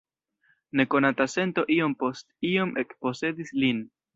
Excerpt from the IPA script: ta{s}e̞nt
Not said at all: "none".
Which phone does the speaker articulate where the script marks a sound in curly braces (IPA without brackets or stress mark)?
s